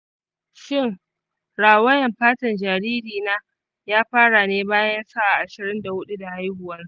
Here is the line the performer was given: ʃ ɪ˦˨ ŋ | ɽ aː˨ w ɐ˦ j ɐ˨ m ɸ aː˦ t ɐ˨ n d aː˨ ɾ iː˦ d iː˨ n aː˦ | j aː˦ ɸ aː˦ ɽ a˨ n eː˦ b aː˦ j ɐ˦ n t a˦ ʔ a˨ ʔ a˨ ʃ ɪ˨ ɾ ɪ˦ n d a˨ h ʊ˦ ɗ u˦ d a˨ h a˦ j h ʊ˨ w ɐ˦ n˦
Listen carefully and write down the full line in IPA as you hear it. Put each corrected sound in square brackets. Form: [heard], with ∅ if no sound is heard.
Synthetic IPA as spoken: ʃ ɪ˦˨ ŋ | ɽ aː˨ w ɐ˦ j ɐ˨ m ɸ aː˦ t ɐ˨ n [d͡ʒ] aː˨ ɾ iː˦ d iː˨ n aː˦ | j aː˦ ɸ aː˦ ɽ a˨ n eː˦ b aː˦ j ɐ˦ n [s] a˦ ʔ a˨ ʔ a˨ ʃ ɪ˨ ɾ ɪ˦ n d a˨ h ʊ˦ ɗ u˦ d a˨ h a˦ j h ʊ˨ w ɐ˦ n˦